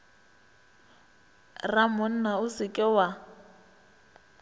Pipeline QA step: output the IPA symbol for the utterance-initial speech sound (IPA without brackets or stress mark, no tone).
r